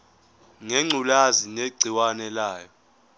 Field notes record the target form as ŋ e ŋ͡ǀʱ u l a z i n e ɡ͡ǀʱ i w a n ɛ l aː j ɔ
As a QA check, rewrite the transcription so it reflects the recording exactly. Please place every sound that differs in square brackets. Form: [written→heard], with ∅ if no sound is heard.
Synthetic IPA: ŋ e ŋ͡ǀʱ u l a z i n e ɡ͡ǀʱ i w a n ɛ l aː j ɔ